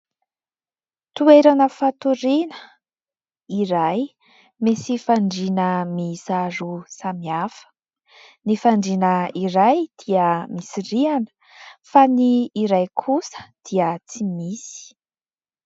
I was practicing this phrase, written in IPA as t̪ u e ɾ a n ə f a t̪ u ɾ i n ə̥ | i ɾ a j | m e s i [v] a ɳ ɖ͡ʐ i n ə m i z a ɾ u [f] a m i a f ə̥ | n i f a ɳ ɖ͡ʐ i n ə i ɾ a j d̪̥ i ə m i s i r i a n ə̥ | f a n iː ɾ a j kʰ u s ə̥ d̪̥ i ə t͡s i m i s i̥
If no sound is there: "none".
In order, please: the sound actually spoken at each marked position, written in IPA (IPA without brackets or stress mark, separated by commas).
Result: f, s